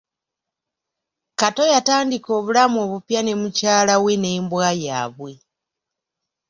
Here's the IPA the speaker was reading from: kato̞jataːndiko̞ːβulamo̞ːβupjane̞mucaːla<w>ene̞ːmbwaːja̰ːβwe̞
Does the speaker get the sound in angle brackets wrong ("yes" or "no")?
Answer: no